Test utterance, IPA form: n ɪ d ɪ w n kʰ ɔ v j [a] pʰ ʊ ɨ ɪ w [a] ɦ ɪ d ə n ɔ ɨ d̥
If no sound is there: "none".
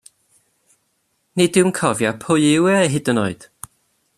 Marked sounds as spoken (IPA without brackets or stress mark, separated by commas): a, ɛ